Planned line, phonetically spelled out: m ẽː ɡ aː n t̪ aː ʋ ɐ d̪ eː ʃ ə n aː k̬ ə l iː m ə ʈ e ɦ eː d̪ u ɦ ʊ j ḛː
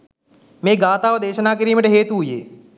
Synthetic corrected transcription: m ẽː ɡ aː t̪ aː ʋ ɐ d̪ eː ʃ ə n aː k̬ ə ɾ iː m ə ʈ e ɦ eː t̪ u ɦ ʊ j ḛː